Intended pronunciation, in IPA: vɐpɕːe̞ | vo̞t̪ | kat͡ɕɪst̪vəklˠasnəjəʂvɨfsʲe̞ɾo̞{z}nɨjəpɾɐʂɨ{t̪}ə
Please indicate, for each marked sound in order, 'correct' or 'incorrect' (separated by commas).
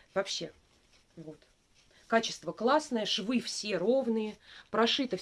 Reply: incorrect, correct